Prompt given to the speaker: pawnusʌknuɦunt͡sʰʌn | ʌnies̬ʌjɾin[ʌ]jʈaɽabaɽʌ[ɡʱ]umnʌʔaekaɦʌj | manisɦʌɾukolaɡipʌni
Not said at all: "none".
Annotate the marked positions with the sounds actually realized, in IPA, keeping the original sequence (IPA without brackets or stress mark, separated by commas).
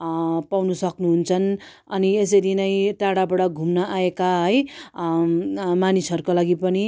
ʌ, ɡʱ